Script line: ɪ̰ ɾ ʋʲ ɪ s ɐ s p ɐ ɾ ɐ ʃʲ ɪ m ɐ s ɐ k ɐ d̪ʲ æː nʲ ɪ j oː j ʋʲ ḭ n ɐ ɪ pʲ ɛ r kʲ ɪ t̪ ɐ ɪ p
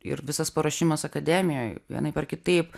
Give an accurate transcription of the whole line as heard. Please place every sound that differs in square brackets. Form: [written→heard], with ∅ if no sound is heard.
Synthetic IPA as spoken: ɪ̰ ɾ ʋʲ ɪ s ɐ s p ɐ ɾ ɐ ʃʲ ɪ m ɐ s ɐ k ɐ d̪ʲ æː [nʲ→mʲ] ɪ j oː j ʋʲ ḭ n ɐ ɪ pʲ ɛ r kʲ ɪ t̪ ɐ ɪ p